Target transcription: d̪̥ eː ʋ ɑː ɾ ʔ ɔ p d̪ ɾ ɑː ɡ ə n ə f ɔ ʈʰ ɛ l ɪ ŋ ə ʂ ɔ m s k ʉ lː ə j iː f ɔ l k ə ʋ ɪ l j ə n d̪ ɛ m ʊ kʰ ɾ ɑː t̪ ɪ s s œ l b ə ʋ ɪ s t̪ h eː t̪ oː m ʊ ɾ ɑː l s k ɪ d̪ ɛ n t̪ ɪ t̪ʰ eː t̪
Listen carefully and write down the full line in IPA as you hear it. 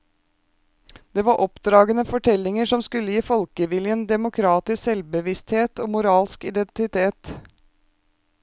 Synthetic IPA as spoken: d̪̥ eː ʋ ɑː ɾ ʔ ɔ p d̪ ɾ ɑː ɡ ə n ə f ɔ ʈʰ ɛ l ɪ ŋ ə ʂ ɔ m s k ʉ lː ə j iː f ɔ l k ə ʋ ɪ l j ə n d̪ ɛ m ʊ kʰ ɾ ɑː t̪ ɪ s s ɛ l b ə ʋ ɪ s t̪ h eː t̪ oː m ʊ ɾ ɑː l s k ɪ d̪ ɛ n t̪ ɪ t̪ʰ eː t̪